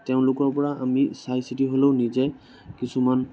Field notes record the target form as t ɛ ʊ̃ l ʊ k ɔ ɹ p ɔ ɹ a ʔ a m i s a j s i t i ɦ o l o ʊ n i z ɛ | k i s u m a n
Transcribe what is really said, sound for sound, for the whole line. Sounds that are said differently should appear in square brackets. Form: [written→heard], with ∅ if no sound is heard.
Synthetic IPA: t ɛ ʊ̃ l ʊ k ɔ ɹ p ɔ ɹ a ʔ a m i s a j s i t i ɦ o l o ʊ n i z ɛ | k i s u m a n

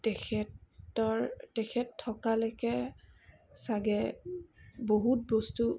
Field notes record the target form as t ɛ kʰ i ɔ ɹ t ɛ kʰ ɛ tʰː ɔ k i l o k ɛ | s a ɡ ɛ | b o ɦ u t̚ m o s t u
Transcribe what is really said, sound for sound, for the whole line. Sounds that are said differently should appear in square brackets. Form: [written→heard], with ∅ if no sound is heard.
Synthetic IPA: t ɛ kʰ [i→ɛ] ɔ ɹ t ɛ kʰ ɛ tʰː ɔ k [i→a] l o k ɛ | s a ɡ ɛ | b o ɦ u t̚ [m→b] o s t u

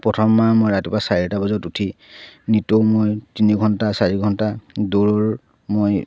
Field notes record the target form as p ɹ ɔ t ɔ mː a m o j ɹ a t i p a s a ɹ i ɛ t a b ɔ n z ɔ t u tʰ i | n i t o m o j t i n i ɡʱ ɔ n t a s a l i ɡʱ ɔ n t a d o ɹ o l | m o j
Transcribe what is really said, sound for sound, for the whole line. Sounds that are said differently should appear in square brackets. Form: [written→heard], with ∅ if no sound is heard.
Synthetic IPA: p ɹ ɔ [t→tʰ] ɔ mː a m o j ɹ a t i p a s a ɹ i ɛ t a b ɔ [n→∅] z ɔ t u tʰ i | n i t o m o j t i n i ɡʱ ɔ n t a s a [l→ɹ] i ɡʱ ɔ n t a d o ɹ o [l→ɹ] | m o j

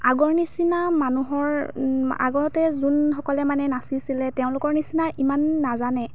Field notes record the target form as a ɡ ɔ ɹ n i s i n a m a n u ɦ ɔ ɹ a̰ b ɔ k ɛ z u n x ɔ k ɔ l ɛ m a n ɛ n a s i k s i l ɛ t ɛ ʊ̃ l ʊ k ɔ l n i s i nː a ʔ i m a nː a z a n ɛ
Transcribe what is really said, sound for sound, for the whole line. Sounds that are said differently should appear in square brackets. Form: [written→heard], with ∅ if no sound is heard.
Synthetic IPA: a ɡ ɔ ɹ n i s i n a m a n u ɦ ɔ ɹ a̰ [b→ɡ] ɔ [k→t] ɛ z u n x ɔ k ɔ l ɛ m a n ɛ n a s i [k→∅] s i l ɛ t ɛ ʊ̃ l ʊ k ɔ [l→ɹ] n i s i [nː→n] a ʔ i m a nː a z a n ɛ

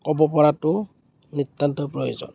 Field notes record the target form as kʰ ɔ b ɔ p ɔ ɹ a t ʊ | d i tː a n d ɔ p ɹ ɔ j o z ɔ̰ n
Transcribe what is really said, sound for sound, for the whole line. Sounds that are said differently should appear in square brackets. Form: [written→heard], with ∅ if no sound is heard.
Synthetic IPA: [kʰ→k] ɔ b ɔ p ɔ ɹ a t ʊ | [d→n] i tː a n [d→t] ɔ p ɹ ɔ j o z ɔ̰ n

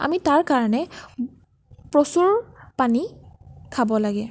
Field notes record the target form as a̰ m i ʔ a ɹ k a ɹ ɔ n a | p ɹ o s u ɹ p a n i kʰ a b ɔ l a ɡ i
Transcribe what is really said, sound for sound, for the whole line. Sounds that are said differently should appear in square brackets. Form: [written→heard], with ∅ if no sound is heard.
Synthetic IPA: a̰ m i [ʔ→t] a ɹ k a ɹ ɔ n [a→ɛ] | p ɹ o s u ɹ p a n i kʰ a b ɔ l a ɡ [i→ɛ]

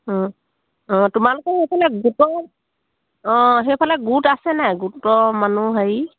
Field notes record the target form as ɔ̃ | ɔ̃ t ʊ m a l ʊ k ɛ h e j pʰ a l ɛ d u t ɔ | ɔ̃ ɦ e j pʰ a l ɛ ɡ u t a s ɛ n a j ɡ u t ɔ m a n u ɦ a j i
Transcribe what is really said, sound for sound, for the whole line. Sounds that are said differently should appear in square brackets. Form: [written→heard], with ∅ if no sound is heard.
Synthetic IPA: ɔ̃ | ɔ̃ t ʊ m a l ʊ k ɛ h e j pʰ a l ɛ [d→ɡ] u t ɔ | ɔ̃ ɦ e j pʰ a l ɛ ɡ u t a s ɛ n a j ɡ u t ɔ m a n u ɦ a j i

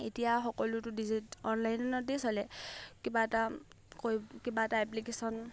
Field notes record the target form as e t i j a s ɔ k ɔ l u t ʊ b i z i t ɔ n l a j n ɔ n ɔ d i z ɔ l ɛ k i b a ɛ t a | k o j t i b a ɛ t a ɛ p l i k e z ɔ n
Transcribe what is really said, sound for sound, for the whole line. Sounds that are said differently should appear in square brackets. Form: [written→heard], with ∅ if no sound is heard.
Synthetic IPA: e t i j a [s→x] ɔ k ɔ l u t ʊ [b→d] i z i t ɔ n l a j n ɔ n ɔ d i [z→s] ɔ l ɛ k i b a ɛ t a | k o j [t→k] i b a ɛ t a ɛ p l i k e [z→s] ɔ n

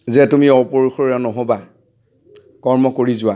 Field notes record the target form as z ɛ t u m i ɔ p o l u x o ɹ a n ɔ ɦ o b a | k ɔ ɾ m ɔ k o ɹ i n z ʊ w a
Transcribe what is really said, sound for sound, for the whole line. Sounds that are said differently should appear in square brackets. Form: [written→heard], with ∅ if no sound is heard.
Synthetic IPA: z ɛ t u m i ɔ p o [l→ɹ] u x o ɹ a n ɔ ɦ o b a | k ɔ [ɾ→ɹ] m ɔ k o ɹ i [n→∅] z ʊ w a

